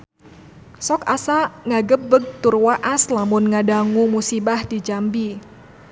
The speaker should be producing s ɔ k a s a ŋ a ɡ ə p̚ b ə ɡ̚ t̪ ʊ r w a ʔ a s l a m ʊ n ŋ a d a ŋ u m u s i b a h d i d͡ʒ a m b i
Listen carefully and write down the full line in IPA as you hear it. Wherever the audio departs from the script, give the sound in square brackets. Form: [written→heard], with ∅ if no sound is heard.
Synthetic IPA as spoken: s ɔ k a s a ŋ a ɡ ə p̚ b ə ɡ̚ t̪ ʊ r w a ʔ a s l a m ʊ n ŋ a d a ŋ u m u s i b a h d i d͡ʒ a m b i